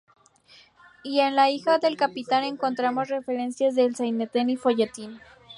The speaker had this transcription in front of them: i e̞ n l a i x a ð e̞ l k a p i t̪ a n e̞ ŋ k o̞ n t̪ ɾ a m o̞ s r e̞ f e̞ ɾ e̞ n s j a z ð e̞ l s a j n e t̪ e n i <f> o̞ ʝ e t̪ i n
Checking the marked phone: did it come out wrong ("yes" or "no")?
no